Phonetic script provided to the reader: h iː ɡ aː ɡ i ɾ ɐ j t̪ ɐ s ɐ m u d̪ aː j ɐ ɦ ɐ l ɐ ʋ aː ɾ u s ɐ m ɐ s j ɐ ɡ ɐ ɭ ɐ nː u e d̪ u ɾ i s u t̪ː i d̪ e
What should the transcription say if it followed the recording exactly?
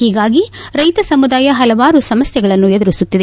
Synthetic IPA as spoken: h iː ɡ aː ɡ i ɾ ɐ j t̪ ɐ s ɐ m u d̪ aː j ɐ ɦ ɐ l ɐ ʋ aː ɾ u s ɐ m ɐ s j ɐ ɡ ɐ ɭ ɐ nː u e d̪ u ɾ i s u t̪ː i d̪ e